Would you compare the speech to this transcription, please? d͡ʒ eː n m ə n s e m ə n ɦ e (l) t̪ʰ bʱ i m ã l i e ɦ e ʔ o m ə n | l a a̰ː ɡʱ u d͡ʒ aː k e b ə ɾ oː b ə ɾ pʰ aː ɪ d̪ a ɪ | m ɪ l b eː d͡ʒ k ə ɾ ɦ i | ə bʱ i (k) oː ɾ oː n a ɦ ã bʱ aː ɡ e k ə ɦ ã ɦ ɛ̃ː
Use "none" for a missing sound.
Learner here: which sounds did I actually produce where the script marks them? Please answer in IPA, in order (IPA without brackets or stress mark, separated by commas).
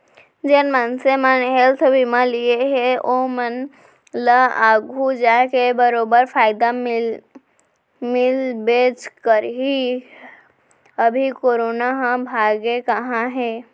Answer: l, k